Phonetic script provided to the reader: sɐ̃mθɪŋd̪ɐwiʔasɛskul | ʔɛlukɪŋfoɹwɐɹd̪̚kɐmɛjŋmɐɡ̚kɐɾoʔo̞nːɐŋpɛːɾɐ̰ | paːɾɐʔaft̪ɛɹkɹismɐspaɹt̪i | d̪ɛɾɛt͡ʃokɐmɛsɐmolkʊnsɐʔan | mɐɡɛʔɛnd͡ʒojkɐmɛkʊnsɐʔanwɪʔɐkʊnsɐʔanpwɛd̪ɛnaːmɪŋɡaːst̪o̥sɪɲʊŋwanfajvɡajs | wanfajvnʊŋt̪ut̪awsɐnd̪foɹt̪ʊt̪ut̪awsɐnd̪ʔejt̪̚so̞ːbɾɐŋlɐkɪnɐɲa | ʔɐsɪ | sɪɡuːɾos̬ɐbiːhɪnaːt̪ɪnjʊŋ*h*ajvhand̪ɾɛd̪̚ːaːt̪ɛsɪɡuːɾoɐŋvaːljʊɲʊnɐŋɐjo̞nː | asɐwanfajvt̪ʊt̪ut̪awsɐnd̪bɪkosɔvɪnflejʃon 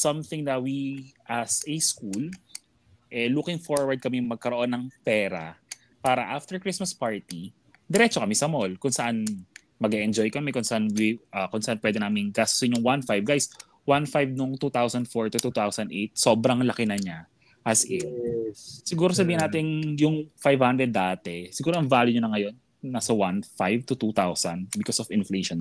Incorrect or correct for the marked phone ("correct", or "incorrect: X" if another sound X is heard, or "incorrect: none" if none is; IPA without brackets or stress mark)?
incorrect: f